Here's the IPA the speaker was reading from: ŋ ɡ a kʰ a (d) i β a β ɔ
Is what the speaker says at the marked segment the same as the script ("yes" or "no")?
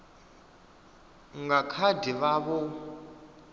yes